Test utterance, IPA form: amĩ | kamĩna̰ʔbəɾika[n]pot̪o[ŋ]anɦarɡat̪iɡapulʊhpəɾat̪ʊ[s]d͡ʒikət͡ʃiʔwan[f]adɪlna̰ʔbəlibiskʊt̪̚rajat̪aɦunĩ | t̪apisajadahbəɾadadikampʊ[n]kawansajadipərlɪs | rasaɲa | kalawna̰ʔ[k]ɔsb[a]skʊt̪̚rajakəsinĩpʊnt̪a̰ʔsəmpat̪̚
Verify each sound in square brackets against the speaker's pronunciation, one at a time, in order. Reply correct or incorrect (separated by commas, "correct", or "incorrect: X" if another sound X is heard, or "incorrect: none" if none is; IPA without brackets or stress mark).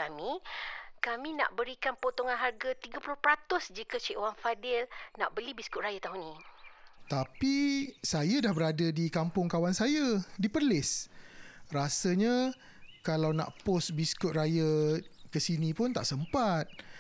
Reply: correct, correct, correct, correct, incorrect: ŋ, incorrect: p, incorrect: i